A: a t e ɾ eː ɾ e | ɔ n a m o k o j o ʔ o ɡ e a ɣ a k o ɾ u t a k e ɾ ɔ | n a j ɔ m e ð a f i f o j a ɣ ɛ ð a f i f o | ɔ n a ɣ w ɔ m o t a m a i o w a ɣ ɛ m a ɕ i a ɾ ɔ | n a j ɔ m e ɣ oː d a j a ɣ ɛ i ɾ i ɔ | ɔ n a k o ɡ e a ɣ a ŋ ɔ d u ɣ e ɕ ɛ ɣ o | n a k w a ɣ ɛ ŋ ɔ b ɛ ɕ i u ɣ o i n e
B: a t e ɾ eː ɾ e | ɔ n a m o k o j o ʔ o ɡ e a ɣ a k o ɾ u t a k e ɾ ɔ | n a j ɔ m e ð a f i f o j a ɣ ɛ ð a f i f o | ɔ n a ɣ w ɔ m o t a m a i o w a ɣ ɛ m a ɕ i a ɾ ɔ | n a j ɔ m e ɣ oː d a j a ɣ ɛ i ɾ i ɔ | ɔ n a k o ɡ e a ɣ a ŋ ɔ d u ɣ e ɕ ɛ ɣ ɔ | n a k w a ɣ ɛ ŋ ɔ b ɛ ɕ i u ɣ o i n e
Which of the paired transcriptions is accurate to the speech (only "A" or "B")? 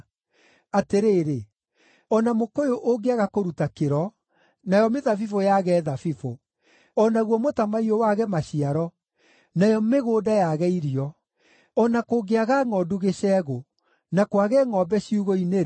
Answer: A